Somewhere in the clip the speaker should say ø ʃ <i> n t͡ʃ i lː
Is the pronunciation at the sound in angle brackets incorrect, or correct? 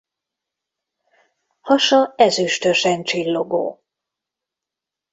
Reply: incorrect: ɛ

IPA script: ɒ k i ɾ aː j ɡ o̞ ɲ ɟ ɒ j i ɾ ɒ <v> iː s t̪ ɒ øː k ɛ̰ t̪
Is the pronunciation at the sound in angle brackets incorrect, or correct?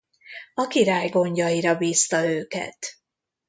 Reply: incorrect: b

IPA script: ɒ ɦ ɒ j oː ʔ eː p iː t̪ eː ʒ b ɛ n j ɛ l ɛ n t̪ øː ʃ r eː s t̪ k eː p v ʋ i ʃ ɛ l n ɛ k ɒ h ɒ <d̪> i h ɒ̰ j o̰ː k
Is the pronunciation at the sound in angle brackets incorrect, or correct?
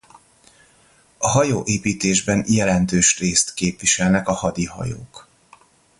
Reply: correct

